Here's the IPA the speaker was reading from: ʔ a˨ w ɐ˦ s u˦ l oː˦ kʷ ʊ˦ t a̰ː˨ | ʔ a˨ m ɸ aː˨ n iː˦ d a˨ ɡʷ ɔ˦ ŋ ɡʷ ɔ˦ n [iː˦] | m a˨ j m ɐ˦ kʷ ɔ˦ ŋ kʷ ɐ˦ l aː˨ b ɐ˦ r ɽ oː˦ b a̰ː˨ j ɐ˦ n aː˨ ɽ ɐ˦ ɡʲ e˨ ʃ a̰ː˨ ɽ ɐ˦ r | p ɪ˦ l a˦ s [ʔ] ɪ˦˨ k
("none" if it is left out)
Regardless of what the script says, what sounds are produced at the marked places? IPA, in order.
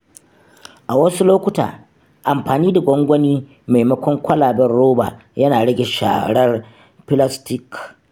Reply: iː˦, t

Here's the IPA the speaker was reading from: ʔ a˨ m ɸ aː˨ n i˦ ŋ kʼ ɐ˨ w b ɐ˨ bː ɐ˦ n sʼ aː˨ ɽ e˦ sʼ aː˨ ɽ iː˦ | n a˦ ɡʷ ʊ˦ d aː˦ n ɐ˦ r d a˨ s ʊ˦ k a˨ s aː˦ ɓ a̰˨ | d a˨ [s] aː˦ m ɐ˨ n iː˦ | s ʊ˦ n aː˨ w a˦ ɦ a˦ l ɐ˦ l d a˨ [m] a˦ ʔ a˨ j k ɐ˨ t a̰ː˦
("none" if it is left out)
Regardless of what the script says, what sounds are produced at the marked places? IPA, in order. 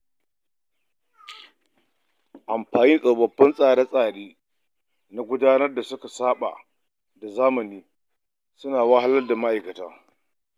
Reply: z, m

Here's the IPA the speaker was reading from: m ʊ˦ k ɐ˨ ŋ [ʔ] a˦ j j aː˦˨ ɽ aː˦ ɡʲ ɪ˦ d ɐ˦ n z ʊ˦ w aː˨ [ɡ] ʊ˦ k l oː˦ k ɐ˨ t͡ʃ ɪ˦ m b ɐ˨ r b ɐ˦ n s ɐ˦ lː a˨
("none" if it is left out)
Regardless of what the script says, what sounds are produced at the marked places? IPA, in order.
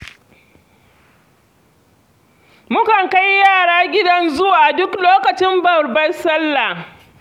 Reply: k, d

